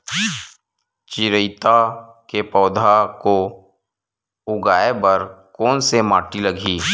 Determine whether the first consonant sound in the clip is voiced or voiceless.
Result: voiceless